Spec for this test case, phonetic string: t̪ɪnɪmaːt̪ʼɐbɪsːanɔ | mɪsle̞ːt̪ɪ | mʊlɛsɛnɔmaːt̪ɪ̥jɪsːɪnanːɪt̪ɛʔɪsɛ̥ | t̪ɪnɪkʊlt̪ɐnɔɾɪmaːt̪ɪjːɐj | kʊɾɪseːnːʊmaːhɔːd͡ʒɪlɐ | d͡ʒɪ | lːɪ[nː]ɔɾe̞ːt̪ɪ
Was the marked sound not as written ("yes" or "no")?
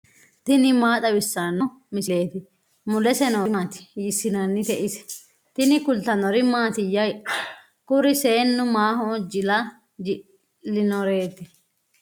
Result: yes